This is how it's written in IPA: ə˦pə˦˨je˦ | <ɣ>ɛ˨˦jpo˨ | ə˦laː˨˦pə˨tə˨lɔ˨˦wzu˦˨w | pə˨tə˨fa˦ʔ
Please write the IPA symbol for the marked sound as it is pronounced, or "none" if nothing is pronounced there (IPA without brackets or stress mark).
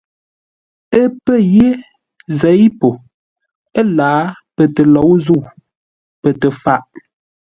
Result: z